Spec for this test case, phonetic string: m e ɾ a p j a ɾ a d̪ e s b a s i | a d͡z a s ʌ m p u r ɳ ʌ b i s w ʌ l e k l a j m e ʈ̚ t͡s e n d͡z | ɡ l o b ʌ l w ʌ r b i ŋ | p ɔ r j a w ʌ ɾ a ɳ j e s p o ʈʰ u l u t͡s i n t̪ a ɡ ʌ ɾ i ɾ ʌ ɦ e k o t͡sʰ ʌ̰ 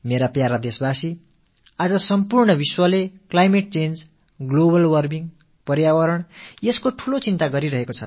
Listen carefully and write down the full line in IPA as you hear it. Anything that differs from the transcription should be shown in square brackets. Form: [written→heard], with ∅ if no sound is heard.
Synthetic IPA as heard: m e ɾ a p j a ɾ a d̪ e s b a s i | a d͡z [a→ʌ] s ʌ m p u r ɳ ʌ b i s w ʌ l e k l a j m e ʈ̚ t͡s e n d͡z | ɡ l o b ʌ l w ʌ r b i ŋ | p [ɔ→ʌ] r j a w ʌ ɾ [a→ʌ] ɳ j e s [p→k] o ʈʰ u l [u→o] t͡s i n t̪ a ɡ ʌ ɾ i ɾ ʌ ɦ e k o t͡sʰ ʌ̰

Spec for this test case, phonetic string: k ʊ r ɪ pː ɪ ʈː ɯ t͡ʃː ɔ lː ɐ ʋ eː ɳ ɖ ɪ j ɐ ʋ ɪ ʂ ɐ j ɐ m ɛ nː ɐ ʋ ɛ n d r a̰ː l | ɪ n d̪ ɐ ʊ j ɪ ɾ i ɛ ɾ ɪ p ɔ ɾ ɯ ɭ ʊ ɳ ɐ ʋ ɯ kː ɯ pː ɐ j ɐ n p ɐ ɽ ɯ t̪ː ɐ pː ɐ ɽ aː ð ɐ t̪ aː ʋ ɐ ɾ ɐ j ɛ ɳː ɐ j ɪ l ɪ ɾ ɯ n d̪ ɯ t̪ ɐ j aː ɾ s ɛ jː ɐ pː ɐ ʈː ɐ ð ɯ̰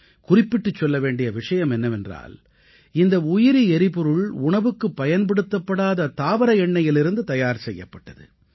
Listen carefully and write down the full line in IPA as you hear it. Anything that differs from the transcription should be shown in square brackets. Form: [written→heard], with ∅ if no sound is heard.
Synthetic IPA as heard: k ʊ r ɪ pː ɪ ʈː ɯ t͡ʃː ɔ lː ɐ ʋ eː ɳ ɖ ɪ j ɐ ʋ ɪ ʂ ɐ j ɐ m ɛ nː ɐ ʋ ɛ n d r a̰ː l | ɪ n d̪ ɐ ʊ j ɪ ɾ i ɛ ɾ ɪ p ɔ ɾ ɯ ɭ ʊ ɳ ɐ ʋ ɯ kː ɯ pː ɐ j ɐ n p ɐ ɽ ɯ t̪ː ɐ pː ɐ ɽ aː ð ɐ t̪ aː ʋ ɐ ɾ ɐ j ɛ ɳː ɐ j ɪ l ɪ ɾ ɯ n d̪ ɯ t̪ ɐ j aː ɾ s ɛ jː ɐ pː ɐ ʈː ɐ ð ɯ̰

